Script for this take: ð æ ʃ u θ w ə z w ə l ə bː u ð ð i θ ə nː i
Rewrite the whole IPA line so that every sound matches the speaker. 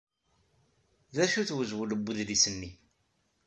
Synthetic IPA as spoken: ð æ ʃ u θ w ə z w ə l ə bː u ð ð i s ə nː i